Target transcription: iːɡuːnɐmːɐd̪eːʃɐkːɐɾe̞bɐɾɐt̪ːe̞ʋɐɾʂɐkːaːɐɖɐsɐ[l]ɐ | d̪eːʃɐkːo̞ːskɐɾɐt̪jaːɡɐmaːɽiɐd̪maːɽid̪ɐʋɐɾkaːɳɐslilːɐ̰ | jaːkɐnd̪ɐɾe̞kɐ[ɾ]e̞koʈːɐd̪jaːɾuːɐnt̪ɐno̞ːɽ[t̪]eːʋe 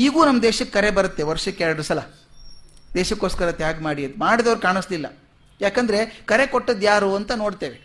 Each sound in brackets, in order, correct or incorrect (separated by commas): correct, correct, correct